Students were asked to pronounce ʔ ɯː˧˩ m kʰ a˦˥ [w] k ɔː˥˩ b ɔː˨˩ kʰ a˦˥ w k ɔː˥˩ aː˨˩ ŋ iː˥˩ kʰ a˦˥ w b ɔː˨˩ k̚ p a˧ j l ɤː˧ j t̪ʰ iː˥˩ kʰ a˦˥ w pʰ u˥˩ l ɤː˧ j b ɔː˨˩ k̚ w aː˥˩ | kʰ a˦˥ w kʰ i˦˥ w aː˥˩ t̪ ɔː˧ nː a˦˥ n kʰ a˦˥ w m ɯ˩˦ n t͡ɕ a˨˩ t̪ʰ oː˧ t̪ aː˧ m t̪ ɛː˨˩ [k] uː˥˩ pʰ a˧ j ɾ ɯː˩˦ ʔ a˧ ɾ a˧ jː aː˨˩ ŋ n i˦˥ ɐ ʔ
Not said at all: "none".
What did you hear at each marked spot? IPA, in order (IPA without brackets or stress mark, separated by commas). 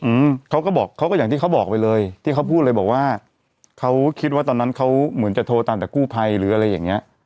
w, k